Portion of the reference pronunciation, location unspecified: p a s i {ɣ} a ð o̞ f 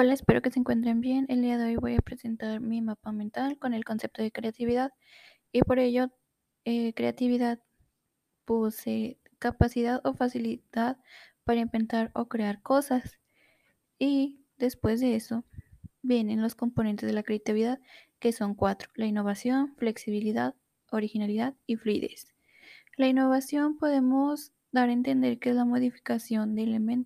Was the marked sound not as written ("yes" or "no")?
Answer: yes